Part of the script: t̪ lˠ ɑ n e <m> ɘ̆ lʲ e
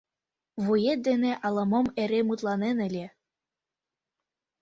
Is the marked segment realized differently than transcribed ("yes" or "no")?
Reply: yes